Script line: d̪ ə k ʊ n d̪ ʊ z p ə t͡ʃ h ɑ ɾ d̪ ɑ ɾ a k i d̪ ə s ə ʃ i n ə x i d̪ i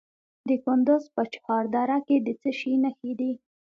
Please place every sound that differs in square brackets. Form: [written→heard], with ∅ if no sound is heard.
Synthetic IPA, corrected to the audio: d̪ ə k ʊ n d̪ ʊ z p ə t͡ʃ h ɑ ɾ d̪ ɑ ɾ a k [i→e] d̪ ə [s→t͡s] ə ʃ i n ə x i d̪ i